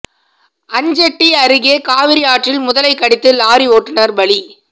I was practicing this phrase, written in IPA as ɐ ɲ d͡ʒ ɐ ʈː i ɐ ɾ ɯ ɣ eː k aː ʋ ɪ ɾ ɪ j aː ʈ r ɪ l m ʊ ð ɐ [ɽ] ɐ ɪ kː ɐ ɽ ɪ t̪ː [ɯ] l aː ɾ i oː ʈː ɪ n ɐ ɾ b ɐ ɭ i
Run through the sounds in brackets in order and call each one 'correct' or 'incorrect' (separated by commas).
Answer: incorrect, correct